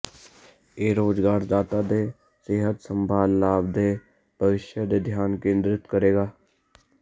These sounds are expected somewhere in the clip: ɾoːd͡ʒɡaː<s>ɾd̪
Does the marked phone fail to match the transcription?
yes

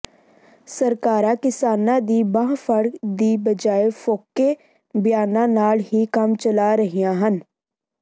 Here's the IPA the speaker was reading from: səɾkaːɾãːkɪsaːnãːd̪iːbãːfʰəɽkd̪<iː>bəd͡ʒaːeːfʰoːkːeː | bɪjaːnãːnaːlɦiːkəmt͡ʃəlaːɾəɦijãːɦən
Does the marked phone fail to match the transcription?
no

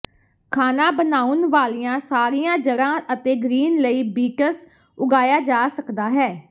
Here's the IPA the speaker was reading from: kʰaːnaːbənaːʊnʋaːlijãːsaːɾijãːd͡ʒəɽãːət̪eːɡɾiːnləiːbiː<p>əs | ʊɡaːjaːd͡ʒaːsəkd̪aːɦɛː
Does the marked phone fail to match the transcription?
yes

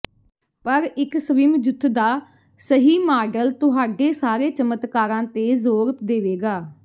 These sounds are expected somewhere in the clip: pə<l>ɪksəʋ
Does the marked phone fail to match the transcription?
yes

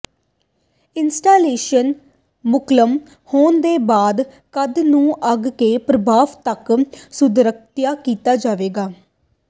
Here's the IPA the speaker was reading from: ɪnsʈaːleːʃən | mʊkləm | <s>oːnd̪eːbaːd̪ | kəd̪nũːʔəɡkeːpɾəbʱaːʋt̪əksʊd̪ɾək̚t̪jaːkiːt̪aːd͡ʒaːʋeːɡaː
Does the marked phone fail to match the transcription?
yes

